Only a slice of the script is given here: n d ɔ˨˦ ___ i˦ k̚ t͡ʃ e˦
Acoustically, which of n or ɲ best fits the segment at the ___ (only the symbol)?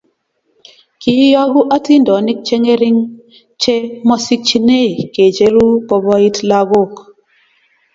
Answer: n